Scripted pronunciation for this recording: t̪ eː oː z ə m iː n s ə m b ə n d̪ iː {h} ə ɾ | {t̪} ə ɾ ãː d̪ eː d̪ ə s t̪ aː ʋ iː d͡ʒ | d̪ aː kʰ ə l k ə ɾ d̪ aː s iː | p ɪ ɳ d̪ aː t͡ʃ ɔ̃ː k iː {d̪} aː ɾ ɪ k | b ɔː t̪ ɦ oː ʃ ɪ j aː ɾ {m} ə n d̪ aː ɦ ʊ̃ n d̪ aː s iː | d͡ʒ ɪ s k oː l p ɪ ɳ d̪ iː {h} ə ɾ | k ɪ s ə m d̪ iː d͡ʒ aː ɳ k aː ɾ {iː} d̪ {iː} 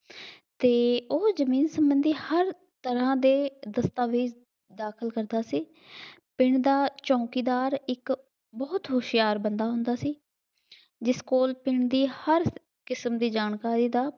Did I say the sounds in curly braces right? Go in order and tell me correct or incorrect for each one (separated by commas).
correct, correct, correct, incorrect, correct, correct, incorrect